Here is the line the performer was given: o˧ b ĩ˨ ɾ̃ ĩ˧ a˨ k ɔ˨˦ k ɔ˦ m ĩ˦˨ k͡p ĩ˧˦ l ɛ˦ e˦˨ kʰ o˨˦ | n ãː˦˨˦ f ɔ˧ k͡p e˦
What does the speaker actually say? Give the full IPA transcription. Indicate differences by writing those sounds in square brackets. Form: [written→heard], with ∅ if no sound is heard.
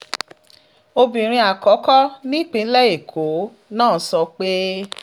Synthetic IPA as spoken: o˧ b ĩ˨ ɾ̃ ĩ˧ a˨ k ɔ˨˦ k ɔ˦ [m→n] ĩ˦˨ k͡p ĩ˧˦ l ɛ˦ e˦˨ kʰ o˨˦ | n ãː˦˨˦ [f→s] ɔ˧ k͡p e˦